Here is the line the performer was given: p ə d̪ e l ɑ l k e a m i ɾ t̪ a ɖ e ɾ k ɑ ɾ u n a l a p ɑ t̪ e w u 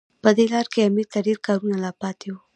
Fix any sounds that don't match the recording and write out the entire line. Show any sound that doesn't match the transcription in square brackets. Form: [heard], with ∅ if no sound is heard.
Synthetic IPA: p ə d̪ e l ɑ [ɾ] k e a m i ɾ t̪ a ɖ e ɾ k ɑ ɾ u n a l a p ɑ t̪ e w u